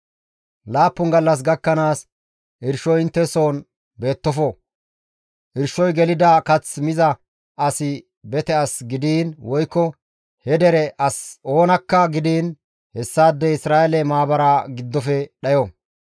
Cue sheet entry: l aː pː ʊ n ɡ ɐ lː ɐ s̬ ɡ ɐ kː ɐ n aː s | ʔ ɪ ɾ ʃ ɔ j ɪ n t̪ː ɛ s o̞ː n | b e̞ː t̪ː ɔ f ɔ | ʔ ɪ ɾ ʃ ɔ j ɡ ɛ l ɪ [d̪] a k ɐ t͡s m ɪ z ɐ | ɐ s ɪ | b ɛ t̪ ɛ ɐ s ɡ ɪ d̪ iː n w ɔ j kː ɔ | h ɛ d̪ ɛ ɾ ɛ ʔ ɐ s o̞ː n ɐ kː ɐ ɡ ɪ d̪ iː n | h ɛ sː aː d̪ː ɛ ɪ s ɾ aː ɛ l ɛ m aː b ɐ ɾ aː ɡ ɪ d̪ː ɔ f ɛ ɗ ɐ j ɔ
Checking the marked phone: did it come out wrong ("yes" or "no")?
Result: no